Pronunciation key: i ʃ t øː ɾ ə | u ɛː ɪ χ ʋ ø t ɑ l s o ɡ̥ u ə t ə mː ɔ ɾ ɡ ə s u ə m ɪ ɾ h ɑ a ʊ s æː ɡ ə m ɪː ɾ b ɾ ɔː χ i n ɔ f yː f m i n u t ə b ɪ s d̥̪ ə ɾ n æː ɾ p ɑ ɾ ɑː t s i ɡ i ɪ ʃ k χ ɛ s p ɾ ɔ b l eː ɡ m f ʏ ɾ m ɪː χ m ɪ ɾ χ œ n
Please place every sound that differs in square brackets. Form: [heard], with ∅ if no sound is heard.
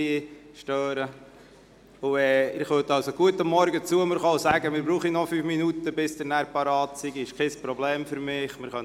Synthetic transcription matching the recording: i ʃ t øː ɾ ə | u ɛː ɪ χ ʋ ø t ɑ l s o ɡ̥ u ə t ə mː ɔ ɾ ɡ ə [t͡s] u ə m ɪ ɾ [χ] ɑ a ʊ s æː ɡ ə m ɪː ɾ b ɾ [uː] χ i n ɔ f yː f m i n u t ə b ɪ s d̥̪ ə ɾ n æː ɾ p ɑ ɾ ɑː t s i ɡ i ɪ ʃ k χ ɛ s p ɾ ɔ b l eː [∅] m f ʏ ɾ m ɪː χ m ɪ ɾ χ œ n